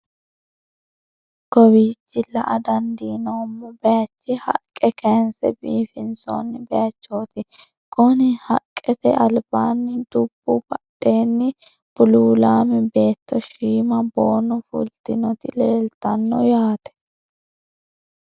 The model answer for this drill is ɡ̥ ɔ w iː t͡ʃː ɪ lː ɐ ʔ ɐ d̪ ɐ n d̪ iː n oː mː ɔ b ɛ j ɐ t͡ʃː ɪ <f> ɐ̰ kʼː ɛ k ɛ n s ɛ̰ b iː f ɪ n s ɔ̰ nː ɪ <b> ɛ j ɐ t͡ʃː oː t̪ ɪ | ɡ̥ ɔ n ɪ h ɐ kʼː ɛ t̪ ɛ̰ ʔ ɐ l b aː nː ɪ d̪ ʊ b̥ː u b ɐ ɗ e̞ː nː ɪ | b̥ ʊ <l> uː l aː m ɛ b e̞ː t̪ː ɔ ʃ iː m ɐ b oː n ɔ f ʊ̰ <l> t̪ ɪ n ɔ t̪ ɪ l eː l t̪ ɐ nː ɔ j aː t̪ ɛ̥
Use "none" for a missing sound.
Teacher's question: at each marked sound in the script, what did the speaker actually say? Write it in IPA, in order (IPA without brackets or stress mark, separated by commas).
h, b, l, l